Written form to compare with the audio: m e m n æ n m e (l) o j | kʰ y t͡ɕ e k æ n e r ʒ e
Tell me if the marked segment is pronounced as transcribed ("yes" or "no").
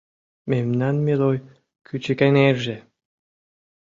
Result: yes